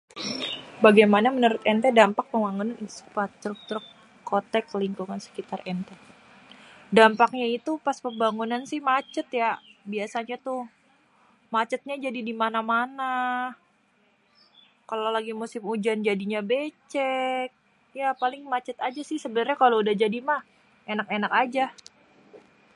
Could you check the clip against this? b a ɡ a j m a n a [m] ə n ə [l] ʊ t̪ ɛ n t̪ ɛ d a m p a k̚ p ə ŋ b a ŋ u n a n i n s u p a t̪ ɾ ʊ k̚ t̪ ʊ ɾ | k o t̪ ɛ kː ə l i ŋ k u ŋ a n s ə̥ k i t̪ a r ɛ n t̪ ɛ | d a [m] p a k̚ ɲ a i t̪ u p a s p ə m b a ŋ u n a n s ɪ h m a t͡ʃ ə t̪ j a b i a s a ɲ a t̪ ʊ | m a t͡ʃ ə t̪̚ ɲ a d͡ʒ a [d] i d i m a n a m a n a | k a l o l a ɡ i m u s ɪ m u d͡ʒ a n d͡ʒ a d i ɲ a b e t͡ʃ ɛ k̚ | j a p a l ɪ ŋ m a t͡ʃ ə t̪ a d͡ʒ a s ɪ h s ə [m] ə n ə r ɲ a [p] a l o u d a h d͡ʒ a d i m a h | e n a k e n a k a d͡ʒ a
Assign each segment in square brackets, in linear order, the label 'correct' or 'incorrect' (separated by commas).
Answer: correct, incorrect, correct, correct, incorrect, incorrect